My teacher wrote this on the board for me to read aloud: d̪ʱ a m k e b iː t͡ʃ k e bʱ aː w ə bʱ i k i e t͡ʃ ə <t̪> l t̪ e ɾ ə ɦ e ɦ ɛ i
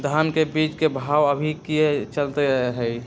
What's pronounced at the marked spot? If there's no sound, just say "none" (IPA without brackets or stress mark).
none